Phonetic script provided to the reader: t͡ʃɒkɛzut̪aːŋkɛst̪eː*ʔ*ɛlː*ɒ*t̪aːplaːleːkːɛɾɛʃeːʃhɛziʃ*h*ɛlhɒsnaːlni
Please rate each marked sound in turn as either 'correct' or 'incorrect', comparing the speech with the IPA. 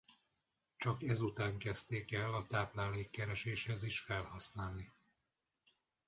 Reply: incorrect: k, correct, incorrect: f

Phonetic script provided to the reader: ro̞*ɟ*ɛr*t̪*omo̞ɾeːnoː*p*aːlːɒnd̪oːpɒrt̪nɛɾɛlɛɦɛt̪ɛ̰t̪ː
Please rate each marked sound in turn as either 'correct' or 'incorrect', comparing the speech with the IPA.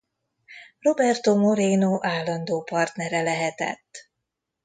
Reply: incorrect: b, correct, incorrect: ʔ

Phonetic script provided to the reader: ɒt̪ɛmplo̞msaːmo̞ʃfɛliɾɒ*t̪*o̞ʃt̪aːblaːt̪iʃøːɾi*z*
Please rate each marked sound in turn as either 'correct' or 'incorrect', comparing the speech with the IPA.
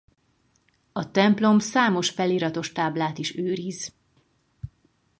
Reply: correct, correct

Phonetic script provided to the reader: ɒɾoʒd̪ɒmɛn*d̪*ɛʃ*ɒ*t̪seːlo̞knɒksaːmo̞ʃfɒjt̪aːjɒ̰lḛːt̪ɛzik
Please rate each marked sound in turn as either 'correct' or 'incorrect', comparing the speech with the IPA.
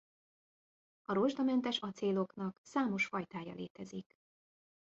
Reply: incorrect: t̪, correct

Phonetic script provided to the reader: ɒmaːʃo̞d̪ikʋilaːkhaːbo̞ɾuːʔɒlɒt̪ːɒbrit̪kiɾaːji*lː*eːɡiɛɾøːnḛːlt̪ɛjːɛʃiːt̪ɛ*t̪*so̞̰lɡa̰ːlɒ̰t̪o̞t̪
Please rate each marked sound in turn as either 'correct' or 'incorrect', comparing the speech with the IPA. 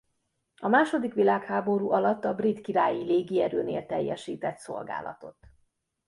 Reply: incorrect: l, correct

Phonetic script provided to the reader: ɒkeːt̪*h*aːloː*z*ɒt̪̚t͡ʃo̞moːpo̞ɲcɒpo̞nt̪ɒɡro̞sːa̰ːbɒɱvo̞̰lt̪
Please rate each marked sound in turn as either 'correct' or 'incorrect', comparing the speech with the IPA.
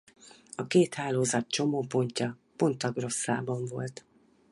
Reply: correct, correct

